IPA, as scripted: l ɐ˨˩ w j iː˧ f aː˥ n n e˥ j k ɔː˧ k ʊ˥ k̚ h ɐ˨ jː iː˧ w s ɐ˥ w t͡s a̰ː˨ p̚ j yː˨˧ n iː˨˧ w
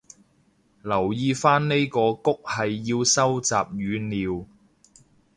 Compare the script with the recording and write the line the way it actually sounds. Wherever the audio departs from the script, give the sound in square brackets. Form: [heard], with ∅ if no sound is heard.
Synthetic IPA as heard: l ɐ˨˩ w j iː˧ f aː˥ n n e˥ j k ɔː˧ k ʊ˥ k̚ h ɐ˨ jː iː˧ w s ɐ˥ w t͡s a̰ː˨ p̚ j yː˨˧ n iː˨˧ w